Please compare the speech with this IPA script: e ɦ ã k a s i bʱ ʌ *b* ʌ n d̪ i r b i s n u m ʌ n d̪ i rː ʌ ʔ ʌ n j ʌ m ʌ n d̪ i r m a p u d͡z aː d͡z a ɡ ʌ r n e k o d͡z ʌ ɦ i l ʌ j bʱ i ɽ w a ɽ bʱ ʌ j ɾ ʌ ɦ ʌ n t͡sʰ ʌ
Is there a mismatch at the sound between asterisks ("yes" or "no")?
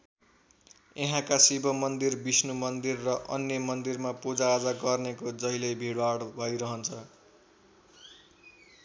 yes